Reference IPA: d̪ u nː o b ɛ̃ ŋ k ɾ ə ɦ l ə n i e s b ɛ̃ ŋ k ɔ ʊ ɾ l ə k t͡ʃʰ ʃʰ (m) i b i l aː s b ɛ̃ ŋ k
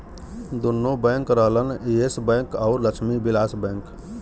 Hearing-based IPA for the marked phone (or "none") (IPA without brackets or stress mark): m